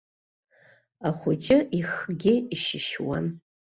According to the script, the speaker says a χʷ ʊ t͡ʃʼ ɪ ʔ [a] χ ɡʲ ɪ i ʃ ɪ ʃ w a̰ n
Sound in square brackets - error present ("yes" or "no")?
yes